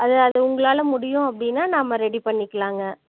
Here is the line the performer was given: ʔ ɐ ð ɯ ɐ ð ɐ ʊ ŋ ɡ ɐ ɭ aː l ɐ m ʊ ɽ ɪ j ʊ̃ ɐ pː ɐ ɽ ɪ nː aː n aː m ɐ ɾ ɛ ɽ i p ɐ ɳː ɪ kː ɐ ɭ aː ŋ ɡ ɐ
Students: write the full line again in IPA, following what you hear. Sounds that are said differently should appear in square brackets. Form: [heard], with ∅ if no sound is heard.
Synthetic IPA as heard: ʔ ɐ ð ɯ ɐ ð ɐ ʊ ŋ ɡ ɐ ɭ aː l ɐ m ʊ ɽ ɪ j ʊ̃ ɐ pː ɐ ɽ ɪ nː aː n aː m ɐ ɾ ɛ ɽ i p ɐ ɳː ɪ kː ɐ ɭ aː ŋ ɡ ɐ